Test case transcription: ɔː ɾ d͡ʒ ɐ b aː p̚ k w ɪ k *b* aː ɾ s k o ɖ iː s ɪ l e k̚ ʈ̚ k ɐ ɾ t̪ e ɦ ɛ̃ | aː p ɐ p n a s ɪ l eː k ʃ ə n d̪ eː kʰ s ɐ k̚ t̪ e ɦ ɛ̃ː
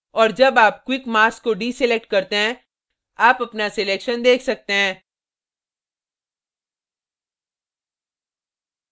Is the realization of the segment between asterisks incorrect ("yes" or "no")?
yes